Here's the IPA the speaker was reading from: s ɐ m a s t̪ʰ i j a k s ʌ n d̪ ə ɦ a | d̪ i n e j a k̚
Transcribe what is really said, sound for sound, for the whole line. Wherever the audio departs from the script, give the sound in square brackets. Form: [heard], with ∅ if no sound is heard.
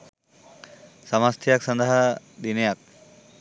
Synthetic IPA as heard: s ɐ m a s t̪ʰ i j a k s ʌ n d̪ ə ɦ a | d̪ i n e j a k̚